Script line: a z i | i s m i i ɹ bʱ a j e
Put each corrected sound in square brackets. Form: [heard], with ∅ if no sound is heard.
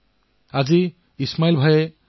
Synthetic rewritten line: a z i | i s m [a] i [l] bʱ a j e

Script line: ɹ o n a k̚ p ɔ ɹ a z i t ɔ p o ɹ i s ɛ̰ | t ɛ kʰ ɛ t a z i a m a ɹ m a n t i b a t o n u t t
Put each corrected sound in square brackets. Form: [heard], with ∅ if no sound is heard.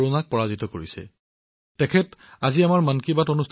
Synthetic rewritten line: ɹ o n a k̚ p ɔ ɹ a z i t ɔ [k] o ɹ i s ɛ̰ | t ɛ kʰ ɛ t a z i a m a ɹ m a n [k] i b a t o n u [s] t

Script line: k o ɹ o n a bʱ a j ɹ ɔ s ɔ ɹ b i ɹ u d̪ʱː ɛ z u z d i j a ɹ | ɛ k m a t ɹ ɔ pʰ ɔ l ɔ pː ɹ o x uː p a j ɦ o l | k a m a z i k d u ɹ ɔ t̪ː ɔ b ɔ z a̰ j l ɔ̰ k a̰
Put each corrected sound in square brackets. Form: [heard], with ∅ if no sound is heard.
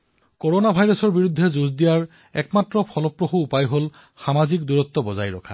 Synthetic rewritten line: k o ɹ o n a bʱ a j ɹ ɔ s ɔ ɹ b i ɹ u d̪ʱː ɛ z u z d i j a ɹ | ɛ k m a t ɹ ɔ pʰ ɔ l ɔ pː ɹ o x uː p a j ɦ o l | [x] a m a z i k d u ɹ ɔ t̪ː ɔ b ɔ z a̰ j [ɹ] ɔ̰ [kʰ] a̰

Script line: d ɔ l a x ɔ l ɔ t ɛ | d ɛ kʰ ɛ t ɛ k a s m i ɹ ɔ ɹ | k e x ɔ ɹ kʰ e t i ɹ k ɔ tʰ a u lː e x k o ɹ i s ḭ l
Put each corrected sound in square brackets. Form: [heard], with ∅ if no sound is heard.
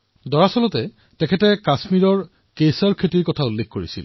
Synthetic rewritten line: d ɔ [ɹ] a [s] ɔ l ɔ t ɛ | [t] ɛ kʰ ɛ t ɛ k a s m i ɹ ɔ ɹ | k e [s] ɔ ɹ kʰ e t i ɹ k ɔ tʰ a u lː e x k o ɹ i s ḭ l

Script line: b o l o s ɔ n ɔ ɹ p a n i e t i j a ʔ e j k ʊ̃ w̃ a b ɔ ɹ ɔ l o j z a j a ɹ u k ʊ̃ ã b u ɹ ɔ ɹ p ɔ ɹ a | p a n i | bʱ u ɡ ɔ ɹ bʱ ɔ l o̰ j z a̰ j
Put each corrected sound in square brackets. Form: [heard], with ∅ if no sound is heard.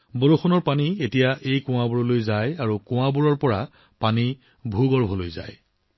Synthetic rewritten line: b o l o [x] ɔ n ɔ ɹ p a n i e t i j a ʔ e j k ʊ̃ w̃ a b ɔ ɹ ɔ l o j z a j a ɹ u k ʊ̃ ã b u ɹ ɔ ɹ p ɔ ɹ a | p a n i | bʱ u ɡ ɔ ɹ bʱ ɔ l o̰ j z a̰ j

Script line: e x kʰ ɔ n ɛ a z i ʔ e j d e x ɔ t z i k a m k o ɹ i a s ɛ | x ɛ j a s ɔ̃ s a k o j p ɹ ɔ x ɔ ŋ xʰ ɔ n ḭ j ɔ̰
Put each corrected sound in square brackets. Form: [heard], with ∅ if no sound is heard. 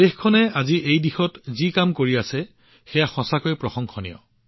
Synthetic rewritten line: e x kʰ ɔ n ɛ a z i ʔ e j d [i] x ɔ t z i k a m k o ɹ i a s ɛ | x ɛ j a [x] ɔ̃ s a k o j p ɹ ɔ x ɔ ŋ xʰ ɔ n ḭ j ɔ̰

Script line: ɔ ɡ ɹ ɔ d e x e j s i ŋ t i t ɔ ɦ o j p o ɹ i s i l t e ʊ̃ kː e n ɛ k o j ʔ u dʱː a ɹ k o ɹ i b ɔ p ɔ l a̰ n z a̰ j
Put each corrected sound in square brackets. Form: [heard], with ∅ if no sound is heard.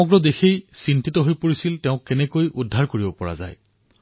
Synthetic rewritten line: ɔ ɡ ɹ ɔ d e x e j s i [n] t i t ɔ ɦ o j p o ɹ i s i l t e ʊ̃ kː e n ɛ k o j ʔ u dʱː a ɹ k o ɹ i b ɔ p ɔ [ɹ] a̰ [∅] z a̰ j

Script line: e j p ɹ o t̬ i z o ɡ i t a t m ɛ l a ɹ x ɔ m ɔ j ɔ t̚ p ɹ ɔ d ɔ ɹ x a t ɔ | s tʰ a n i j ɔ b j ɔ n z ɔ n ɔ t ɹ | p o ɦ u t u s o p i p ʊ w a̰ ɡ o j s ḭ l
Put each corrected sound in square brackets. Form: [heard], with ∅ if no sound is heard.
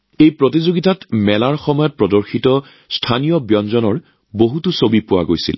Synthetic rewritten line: e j p ɹ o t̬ i z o ɡ i t a t m ɛ l a ɹ x ɔ m ɔ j ɔ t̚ p ɹ ɔ d ɔ ɹ x [i] t ɔ | s tʰ a n i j ɔ b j ɔ n z ɔ n ɔ [∅] ɹ | [b] o ɦ u t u s o [b] i p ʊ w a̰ ɡ o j s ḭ l

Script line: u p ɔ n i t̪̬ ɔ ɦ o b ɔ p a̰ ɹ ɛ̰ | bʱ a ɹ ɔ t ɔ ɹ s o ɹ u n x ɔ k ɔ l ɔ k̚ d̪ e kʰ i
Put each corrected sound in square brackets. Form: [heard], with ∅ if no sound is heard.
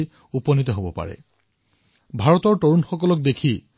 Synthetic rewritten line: u p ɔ n i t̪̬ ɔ ɦ o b ɔ p a̰ ɹ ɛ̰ | bʱ a ɹ ɔ t ɔ ɹ [t] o ɹ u n x ɔ k ɔ l ɔ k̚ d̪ e kʰ i

